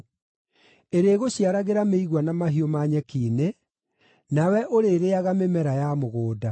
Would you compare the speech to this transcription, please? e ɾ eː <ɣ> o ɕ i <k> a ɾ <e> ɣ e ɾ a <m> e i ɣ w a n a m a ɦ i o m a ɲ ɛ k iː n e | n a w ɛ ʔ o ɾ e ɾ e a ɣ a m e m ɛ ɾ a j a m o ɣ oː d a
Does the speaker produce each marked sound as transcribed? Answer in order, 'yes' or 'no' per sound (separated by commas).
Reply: yes, no, no, yes